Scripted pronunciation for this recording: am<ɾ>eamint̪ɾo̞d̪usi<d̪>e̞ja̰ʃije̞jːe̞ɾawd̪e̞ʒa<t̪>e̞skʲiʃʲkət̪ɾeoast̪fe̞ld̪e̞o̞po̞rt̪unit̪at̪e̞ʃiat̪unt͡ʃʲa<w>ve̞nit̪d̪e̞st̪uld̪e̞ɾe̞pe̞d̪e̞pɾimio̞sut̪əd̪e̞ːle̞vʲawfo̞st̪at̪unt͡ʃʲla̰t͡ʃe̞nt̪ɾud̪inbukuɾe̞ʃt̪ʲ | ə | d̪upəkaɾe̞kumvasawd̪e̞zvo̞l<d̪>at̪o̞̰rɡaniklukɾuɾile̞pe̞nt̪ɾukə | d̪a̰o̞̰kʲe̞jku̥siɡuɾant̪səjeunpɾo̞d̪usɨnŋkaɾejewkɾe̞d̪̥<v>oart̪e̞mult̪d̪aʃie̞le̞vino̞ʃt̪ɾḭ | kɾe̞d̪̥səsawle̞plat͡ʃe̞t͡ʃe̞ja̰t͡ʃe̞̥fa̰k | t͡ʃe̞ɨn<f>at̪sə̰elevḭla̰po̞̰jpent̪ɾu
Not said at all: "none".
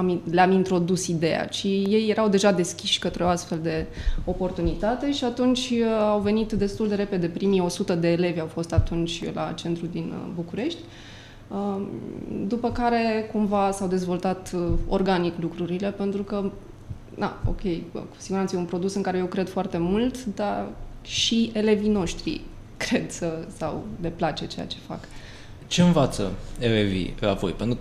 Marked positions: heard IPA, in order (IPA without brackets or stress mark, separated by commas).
l, d̪, d̪, w, t̪, f, v